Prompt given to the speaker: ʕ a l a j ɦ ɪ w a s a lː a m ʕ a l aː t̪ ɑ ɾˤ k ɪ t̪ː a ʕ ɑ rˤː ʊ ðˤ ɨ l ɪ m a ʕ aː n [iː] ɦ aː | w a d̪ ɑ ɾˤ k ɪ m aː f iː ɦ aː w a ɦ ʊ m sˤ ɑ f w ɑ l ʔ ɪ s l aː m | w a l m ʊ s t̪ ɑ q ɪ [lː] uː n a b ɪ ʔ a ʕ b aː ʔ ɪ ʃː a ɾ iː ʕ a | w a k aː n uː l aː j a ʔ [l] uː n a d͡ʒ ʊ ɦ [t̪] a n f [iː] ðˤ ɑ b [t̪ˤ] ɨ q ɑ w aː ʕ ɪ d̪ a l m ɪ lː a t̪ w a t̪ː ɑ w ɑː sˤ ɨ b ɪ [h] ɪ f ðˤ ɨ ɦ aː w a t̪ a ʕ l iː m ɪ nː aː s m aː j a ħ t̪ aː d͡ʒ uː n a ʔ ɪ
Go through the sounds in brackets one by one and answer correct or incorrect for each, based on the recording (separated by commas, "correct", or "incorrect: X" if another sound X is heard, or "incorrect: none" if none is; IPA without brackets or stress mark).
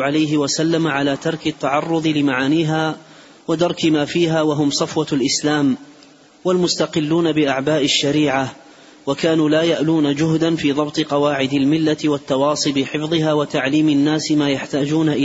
correct, correct, correct, incorrect: d̪, correct, correct, incorrect: ħ